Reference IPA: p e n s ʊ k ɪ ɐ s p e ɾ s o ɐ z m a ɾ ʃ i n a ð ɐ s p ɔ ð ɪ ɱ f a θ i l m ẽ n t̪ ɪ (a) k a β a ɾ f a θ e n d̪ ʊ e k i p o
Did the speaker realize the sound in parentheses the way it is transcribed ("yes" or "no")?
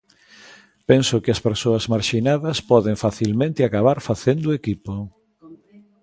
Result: yes